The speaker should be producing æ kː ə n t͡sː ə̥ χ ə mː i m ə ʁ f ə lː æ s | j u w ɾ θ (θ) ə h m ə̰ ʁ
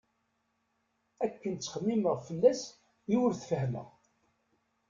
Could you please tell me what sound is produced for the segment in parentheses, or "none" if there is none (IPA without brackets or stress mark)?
f